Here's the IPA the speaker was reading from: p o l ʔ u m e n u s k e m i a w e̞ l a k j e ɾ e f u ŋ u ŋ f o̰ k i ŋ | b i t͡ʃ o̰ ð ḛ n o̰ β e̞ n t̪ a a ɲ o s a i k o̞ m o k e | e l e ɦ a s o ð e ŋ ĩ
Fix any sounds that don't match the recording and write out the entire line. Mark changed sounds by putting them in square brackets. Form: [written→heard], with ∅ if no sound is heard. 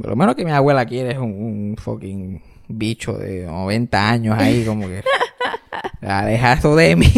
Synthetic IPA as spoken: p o l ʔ [u→o] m e n [u→o] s k e m i a w e̞ l a k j e ɾ e [f→s] u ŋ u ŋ f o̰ k i ŋ | b i t͡ʃ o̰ ð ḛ n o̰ β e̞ n t̪ a a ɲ o s a i k o̞ m o k e | [e→a] l e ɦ a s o ð e [ŋ→m] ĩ